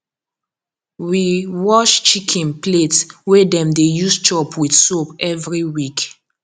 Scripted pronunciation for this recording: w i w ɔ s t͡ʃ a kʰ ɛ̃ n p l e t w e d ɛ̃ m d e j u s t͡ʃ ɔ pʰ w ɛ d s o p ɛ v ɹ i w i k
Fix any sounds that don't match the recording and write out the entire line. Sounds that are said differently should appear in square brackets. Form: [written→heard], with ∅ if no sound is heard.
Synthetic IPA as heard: w i w ɔ [s→ʃ] t͡ʃ [a→i] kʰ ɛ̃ n p l e t w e d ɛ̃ m d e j u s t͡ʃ ɔ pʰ w [ɛ→i] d s o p ɛ v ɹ i w i k